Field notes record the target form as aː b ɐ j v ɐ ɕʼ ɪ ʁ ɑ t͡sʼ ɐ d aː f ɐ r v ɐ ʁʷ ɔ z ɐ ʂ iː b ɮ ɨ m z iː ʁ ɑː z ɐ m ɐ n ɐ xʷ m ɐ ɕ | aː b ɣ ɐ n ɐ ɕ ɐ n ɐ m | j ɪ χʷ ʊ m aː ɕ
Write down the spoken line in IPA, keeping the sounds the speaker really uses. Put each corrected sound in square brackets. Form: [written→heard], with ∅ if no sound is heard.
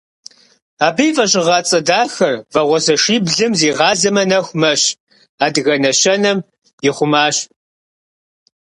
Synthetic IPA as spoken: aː b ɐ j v ɐ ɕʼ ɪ ʁ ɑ t͡sʼ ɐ d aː [f→x] ɐ r v ɐ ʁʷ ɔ z ɐ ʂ iː b ɮ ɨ m z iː ʁ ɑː z ɐ m ɐ n ɐ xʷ m ɐ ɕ | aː [b→d] ɣ ɐ n ɐ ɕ ɐ n ɐ m | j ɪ χʷ ʊ m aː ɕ